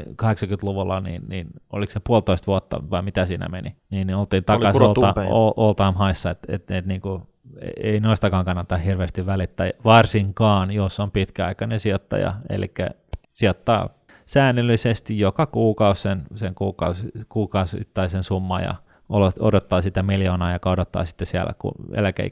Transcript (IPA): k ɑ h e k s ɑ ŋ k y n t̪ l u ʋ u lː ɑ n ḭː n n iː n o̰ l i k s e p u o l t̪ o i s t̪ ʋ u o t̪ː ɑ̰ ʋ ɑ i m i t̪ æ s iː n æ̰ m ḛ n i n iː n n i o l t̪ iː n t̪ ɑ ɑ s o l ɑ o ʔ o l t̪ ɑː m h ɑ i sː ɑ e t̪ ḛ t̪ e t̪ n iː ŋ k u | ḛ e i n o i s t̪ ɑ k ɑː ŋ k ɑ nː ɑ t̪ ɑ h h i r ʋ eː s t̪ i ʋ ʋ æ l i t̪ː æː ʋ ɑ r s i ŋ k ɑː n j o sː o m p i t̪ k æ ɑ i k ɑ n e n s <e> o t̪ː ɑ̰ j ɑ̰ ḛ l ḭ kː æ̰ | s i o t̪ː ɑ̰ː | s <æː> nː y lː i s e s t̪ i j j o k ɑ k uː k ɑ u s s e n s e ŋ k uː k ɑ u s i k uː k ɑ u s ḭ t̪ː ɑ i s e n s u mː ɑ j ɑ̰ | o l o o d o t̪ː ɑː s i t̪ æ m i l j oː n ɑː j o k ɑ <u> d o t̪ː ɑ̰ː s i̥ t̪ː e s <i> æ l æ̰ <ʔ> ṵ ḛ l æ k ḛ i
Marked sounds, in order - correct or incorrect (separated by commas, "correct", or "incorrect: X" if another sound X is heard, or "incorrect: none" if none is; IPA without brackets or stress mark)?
incorrect: i, correct, incorrect: o, correct, incorrect: k